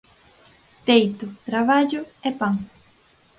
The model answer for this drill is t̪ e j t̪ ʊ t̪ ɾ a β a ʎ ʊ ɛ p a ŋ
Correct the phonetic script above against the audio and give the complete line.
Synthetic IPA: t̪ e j t̪ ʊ t̪ ɾ a β a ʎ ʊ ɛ p a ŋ